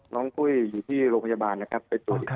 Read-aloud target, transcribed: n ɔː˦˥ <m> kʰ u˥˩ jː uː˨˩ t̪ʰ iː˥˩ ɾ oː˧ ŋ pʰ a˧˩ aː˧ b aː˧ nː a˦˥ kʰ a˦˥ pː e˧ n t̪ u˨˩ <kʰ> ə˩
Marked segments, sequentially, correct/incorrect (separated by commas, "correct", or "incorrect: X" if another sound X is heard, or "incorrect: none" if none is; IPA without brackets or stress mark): incorrect: ŋ, incorrect: none